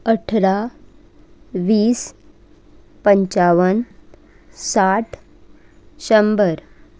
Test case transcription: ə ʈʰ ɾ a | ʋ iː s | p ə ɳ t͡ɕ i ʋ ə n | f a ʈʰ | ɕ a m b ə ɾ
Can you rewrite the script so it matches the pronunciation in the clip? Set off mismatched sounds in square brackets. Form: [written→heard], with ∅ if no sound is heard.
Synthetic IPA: ə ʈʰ ɾ a | ʋ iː s | p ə [ɳ→ɲ] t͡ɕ [i→a] ʋ ə n | [f→s] a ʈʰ | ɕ [a→ə] m b ə ɾ